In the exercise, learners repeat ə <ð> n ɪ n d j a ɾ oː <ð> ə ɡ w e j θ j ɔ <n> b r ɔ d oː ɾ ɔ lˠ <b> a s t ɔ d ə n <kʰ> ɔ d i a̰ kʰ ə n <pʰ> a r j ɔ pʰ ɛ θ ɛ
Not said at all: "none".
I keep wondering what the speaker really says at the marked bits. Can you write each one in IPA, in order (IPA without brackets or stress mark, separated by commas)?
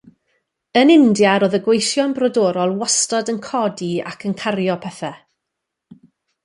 none, ð, n, w, kʰ, kʰ